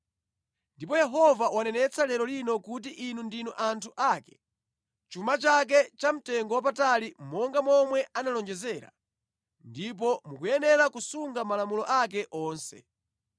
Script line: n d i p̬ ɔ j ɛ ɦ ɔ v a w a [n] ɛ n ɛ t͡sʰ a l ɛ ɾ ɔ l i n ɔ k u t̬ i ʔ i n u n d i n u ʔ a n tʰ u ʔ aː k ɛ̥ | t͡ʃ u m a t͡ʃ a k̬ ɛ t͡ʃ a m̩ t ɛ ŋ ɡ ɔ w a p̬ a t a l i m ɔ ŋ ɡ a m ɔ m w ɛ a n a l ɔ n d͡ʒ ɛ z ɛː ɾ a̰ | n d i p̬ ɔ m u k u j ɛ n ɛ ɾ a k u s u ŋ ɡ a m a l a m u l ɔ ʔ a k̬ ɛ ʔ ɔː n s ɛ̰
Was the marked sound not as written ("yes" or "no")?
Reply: no